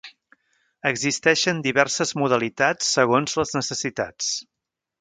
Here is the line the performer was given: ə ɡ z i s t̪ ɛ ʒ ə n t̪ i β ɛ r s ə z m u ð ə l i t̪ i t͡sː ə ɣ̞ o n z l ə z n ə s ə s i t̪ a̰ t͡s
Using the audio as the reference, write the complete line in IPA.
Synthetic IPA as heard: ə ɡ z i s t̪ ɛ ʃ ə n d̪ i β ɛ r s ə z m u ð ə l i t̪ a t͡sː ə ɣ̞ o n z l ə z n ə s ə s i t̪ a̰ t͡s